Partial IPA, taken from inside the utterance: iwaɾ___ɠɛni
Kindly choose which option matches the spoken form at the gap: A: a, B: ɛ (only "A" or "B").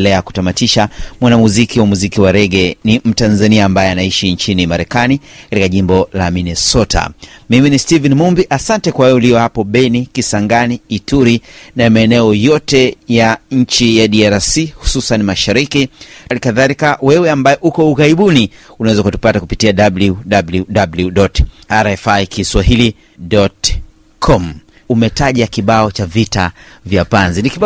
B